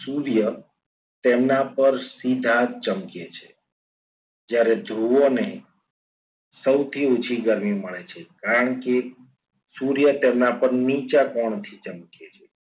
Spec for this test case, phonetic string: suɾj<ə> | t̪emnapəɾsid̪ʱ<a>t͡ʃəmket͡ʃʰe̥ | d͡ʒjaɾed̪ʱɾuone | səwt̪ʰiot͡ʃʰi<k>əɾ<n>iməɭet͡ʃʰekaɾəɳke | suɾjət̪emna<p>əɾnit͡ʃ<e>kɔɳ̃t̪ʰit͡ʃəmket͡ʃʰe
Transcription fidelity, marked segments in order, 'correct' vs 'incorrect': correct, correct, incorrect, incorrect, correct, incorrect

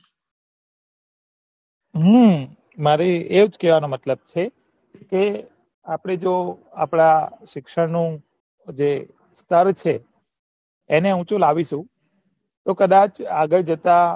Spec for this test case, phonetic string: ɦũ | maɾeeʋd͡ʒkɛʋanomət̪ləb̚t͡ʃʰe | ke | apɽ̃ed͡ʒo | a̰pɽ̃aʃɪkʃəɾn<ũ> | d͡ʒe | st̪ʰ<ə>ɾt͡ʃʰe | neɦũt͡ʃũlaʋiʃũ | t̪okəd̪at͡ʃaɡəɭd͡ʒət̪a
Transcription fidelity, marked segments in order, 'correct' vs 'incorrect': correct, correct

